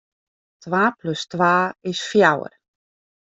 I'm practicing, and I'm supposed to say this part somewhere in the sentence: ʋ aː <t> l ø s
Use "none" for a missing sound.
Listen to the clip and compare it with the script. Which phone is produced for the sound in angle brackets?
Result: p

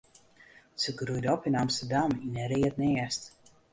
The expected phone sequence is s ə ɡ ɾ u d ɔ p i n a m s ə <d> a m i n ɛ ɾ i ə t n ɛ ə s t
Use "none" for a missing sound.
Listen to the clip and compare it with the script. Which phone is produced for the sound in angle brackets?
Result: d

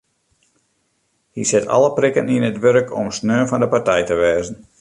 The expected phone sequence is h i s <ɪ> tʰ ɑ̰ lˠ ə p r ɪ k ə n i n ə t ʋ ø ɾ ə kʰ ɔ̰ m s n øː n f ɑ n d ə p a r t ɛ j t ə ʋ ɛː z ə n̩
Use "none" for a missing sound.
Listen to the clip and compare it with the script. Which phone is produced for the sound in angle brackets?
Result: ɪ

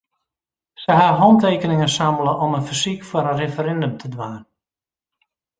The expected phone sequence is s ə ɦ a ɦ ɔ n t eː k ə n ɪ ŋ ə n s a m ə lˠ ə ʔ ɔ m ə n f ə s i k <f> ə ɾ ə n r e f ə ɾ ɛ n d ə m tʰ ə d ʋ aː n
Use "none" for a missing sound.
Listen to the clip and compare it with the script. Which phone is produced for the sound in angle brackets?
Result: f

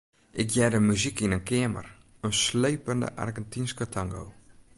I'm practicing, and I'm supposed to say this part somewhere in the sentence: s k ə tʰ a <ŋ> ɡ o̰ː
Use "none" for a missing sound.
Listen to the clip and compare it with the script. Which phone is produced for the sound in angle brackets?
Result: ŋ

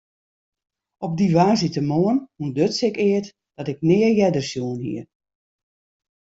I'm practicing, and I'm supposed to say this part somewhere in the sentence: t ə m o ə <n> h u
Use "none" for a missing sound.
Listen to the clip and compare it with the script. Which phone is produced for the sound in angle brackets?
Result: n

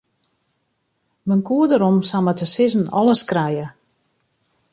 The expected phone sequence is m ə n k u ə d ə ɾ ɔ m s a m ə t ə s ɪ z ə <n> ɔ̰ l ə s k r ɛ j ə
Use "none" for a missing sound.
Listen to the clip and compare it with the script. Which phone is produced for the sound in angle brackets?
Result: n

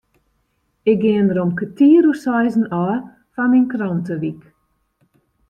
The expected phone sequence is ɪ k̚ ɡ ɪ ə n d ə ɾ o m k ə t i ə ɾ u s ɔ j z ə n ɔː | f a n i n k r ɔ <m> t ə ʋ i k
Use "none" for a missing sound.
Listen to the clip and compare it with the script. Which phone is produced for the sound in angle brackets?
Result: n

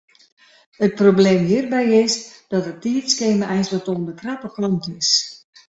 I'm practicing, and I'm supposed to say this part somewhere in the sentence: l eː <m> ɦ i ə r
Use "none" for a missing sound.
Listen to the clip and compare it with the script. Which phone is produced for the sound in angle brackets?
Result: m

